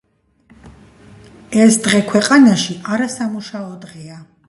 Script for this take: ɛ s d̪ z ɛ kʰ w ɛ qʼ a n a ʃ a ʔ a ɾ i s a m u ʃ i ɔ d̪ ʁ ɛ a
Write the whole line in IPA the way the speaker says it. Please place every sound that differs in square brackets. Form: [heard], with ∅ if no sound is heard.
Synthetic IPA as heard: ɛ s d̪ [ʁ] ɛ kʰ w ɛ qʼ a n a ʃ [i] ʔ a ɾ [a] s a m u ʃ [a] ɔ d̪ ʁ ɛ a